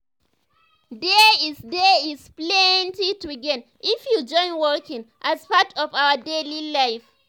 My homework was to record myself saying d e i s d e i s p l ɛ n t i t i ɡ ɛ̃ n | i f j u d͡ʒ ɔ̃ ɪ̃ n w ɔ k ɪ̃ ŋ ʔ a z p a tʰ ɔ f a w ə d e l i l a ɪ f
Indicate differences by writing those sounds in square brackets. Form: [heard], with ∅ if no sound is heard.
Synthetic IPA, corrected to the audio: d e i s d e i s p l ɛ n t i t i ɡ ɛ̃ n | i f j u d͡ʒ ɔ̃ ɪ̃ n w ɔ k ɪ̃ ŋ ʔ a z p a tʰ ɔ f a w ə d e l i l a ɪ f